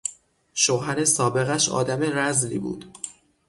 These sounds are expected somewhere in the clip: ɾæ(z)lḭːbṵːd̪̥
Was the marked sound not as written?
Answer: no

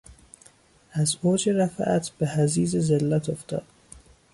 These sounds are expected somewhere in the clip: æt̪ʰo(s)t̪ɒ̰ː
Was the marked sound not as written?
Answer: yes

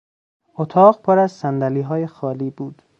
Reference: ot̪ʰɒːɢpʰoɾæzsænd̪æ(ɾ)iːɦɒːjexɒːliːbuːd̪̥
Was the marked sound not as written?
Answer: yes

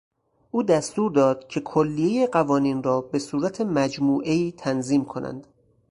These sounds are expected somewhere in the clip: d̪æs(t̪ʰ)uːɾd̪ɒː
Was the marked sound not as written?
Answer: yes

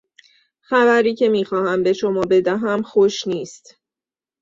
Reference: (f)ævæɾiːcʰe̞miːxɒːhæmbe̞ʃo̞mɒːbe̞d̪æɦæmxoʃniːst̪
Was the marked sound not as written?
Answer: yes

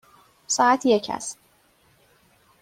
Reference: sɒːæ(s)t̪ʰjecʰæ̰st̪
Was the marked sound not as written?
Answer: yes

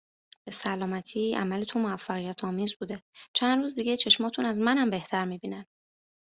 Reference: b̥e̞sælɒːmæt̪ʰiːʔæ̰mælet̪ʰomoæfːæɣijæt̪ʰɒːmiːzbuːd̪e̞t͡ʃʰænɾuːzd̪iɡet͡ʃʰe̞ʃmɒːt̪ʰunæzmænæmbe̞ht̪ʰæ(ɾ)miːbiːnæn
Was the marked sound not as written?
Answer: no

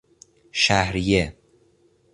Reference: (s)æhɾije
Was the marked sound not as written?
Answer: yes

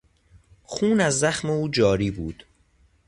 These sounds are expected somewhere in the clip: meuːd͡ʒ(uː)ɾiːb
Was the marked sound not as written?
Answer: yes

